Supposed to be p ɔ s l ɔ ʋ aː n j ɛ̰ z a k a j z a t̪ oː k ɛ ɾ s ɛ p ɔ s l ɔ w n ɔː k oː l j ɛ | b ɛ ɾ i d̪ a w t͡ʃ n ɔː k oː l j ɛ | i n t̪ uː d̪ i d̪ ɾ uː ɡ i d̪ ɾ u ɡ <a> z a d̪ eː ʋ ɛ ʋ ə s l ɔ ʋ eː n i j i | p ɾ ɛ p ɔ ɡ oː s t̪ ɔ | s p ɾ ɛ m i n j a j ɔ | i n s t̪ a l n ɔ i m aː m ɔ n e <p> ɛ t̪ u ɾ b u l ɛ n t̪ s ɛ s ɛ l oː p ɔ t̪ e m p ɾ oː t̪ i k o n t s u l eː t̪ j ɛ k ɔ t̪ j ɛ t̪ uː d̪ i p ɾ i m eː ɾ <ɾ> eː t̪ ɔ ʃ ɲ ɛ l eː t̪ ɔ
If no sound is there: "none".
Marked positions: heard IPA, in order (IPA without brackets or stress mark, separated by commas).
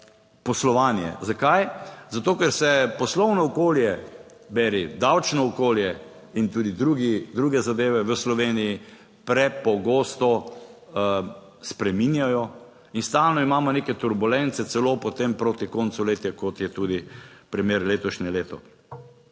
ɛ, k, l